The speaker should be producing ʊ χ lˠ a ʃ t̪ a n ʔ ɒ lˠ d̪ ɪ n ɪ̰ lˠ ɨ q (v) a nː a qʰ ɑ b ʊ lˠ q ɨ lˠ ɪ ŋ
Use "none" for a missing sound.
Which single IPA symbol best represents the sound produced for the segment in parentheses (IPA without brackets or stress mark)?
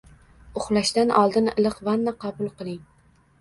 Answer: v